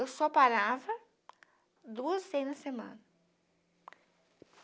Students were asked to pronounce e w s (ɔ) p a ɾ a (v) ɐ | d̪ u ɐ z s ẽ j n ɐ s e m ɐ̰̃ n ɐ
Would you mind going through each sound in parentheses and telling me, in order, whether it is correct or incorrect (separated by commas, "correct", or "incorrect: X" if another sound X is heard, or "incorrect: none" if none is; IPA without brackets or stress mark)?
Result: correct, correct